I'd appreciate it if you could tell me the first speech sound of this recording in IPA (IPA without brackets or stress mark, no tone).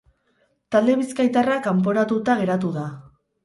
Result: t̪